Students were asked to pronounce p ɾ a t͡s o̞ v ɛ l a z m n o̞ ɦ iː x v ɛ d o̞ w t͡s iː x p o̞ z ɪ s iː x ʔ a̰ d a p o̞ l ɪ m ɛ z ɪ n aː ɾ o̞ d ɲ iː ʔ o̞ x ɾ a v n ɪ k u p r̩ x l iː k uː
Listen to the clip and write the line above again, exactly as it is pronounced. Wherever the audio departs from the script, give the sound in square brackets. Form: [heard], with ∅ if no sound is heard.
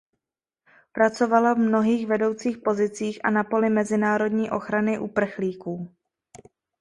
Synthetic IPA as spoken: p ɾ a t͡s o̞ v [a] l a [v] m n o̞ ɦ iː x v ɛ d o̞ w t͡s iː x p o̞ z ɪ [t͡s] iː x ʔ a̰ [n] a p o̞ l ɪ m ɛ z ɪ n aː ɾ o̞ d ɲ iː ʔ o̞ x ɾ a [∅] n ɪ [ʔ] u p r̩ x l iː k uː

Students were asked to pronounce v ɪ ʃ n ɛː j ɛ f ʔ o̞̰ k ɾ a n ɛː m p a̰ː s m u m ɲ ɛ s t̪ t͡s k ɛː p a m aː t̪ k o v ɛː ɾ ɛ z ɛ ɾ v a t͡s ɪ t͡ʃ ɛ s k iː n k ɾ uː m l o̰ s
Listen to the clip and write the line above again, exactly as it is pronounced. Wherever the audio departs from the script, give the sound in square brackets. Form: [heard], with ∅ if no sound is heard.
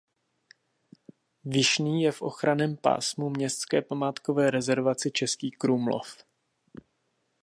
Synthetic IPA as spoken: v ɪ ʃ n [iː] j ɛ f ʔ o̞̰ [x] ɾ a n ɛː m p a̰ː s m u m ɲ ɛ s t̪ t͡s k ɛː p a m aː t̪ k o v ɛː ɾ ɛ z ɛ ɾ v a t͡s ɪ t͡ʃ ɛ s k iː [∅] k ɾ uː m l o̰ [f]

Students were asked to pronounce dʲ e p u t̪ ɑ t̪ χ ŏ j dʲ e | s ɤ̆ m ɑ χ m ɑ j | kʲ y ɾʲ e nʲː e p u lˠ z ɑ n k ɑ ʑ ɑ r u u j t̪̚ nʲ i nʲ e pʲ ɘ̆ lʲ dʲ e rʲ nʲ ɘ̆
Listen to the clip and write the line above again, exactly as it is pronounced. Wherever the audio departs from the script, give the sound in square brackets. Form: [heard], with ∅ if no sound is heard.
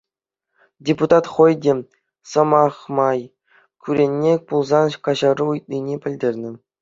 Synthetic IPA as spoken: dʲ e p u t̪ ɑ t̪ χ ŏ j dʲ e | s ɤ̆ m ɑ χ m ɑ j | kʲ y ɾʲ e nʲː e p u lˠ z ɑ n k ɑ ʑ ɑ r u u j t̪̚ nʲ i nʲ e pʲ ɘ̆ lʲ dʲ e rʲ nʲ ɘ̆

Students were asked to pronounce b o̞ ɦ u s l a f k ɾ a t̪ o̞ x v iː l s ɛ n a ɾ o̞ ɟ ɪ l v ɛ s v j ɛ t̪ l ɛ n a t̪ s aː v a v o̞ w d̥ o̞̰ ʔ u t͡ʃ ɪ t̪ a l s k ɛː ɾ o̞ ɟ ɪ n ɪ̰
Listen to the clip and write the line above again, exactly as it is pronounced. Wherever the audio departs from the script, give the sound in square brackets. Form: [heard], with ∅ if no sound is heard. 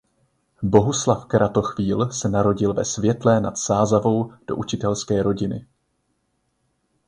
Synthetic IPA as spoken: b o̞ ɦ u s l a f k ɾ a t̪ o̞ x v iː l s ɛ n a ɾ o̞ ɟ ɪ l v ɛ s v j ɛ t̪ l ɛ n a t̪ s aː [z] a v o̞ w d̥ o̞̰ ʔ u t͡ʃ ɪ t̪ [ɛ] l s k ɛː ɾ o̞ ɟ ɪ n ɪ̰

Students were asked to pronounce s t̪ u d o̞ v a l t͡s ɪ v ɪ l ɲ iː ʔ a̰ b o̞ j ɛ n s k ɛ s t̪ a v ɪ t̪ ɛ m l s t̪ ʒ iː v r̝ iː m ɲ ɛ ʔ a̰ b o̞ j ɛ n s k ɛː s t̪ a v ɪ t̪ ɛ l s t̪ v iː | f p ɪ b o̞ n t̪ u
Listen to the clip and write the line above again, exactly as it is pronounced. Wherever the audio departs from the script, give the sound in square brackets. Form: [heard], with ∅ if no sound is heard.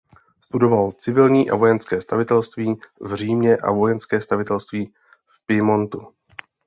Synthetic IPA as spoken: s t̪ u d o̞ v a l t͡s ɪ v ɪ l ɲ iː ʔ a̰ [v] o̞ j ɛ n s k [ɛː] s t̪ a v ɪ t̪ ɛ [∅] l s t̪ [v] iː v r̝ iː m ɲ ɛ ʔ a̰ [v] o̞ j ɛ n s k ɛː s t̪ a v ɪ t̪ ɛ l s t̪ v iː | f p ɪ [m] o̞ n t̪ u

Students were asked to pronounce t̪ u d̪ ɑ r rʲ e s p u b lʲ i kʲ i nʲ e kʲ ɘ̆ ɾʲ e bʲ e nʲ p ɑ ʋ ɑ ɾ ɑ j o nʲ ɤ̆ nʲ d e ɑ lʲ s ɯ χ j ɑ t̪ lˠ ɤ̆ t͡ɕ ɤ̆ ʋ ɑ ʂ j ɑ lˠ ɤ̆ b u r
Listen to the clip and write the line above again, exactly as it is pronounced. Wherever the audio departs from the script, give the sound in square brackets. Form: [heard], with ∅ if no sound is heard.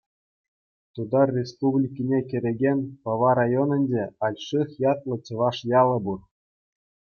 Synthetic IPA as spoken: t̪ u d̪ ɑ r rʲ e s p u b lʲ i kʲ i nʲ e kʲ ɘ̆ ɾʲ e [ɡʲ] e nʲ p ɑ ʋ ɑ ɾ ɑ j o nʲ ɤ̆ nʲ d e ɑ lʲ [ʂ] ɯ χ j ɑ t̪ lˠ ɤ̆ t͡ɕ ɤ̆ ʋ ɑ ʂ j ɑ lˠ ɤ̆ b u r

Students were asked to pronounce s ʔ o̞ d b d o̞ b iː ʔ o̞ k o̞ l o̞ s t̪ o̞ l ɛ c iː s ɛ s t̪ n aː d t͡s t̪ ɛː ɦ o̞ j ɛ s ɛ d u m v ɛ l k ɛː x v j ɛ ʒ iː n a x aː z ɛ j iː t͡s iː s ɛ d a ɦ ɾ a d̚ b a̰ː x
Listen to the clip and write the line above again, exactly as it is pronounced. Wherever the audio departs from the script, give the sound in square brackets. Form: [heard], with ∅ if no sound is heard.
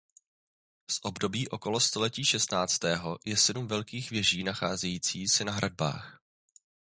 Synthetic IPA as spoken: s ʔ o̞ [∅] b d o̞ b iː ʔ o̞ k o̞ l o̞ s t̪ o̞ l ɛ c iː [ʃ] ɛ s t̪ n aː [∅] t͡s t̪ ɛː ɦ o̞ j ɛ s ɛ d u m v ɛ l k [iː] x v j ɛ ʒ iː n a x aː z ɛ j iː t͡s iː s ɛ [n] a ɦ ɾ a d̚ b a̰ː x

